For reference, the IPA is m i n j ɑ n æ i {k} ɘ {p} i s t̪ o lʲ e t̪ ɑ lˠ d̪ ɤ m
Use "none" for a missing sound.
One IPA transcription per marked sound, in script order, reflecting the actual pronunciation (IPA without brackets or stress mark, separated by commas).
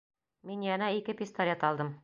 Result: k, p